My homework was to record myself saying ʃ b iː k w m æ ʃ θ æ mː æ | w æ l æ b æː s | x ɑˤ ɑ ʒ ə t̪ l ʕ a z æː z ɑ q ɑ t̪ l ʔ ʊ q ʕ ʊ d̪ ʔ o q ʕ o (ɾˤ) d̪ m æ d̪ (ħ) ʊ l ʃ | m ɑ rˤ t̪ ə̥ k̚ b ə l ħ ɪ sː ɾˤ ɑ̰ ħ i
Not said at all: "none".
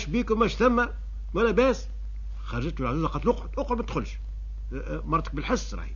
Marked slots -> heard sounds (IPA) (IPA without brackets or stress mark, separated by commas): none, x